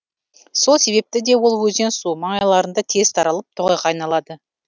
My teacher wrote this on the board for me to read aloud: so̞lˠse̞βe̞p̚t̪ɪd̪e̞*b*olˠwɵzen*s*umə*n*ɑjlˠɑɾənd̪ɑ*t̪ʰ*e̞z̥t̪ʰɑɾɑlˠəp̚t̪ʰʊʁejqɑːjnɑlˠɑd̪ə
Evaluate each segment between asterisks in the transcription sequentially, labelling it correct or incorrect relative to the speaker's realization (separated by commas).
incorrect, correct, incorrect, correct